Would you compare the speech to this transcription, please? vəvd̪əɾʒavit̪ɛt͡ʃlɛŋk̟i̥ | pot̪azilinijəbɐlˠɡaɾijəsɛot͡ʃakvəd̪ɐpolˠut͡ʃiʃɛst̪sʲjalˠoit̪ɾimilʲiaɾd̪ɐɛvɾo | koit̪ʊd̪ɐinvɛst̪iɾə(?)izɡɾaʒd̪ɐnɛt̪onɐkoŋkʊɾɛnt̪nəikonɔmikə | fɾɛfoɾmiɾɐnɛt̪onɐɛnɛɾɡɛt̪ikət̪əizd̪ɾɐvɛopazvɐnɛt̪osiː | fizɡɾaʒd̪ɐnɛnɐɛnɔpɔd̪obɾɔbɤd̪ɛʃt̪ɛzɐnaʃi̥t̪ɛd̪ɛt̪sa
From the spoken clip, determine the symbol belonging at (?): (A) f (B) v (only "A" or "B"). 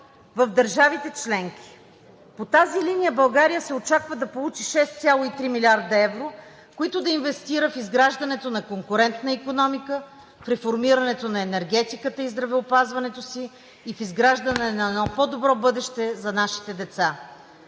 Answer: A